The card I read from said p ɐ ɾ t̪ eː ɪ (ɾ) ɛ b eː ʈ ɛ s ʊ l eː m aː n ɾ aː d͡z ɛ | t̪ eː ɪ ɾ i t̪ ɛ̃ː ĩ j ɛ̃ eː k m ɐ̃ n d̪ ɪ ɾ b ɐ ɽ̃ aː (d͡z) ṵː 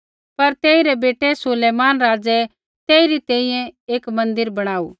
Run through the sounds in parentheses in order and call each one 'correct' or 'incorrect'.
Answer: correct, incorrect

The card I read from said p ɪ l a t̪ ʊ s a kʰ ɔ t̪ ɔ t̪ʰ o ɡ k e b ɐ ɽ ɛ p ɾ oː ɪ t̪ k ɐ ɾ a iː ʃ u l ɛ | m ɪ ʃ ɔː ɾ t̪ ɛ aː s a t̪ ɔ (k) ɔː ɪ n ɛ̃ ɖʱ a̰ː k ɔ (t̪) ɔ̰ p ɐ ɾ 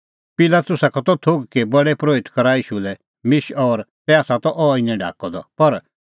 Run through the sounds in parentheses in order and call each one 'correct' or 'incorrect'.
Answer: incorrect, incorrect

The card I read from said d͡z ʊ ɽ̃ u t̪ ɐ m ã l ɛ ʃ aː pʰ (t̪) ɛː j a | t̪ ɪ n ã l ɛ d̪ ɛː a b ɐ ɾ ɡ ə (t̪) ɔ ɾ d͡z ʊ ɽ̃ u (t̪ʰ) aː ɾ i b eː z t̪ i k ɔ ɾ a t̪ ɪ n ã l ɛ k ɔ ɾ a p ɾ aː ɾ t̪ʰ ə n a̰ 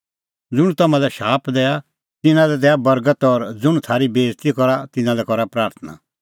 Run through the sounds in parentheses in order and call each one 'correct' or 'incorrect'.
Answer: incorrect, correct, correct

